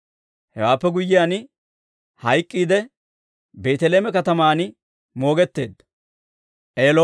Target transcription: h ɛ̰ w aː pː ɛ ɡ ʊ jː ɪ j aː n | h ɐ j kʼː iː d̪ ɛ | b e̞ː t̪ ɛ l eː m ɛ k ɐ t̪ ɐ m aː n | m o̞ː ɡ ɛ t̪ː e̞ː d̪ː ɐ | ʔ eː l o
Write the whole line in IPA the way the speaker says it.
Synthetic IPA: h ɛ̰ w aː pː ɛ ɡ ʊ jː ɪ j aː n | h ɐ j kʼː iː d̪ ɛ | b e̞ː t̪ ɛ l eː m ɛ k ɐ t̪ ɐ m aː n | m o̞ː ɡ ɛ t̪ː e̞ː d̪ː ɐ | ʔ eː l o